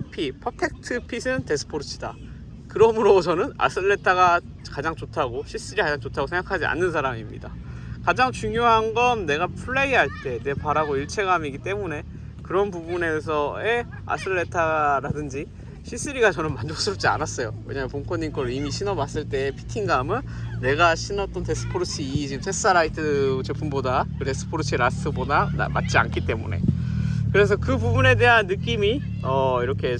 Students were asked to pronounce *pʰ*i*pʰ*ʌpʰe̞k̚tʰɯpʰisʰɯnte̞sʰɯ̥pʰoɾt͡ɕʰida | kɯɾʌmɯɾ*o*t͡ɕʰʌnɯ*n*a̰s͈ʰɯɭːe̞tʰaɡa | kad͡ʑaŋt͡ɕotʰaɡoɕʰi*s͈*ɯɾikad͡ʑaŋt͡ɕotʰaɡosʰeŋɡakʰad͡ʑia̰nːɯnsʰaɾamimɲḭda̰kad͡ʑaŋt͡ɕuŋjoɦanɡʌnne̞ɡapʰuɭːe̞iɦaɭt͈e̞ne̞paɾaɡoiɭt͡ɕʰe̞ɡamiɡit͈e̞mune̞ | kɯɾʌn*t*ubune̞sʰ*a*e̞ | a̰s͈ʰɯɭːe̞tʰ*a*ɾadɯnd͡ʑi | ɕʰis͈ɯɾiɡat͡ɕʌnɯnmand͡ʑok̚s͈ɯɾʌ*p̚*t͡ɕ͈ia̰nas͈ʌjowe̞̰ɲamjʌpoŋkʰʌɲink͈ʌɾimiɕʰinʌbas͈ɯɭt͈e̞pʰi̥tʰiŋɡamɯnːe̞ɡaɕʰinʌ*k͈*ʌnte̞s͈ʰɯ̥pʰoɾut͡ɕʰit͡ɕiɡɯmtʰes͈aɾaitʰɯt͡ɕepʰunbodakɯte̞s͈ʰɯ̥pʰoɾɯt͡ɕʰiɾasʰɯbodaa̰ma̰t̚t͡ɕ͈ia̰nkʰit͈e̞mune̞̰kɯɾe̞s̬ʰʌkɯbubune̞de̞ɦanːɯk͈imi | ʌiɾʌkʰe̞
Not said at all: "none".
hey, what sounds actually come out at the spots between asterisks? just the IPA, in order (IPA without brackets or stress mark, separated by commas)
pʰ, pʰ, o, n, s͈, p, ʌ, a, p̚, t͈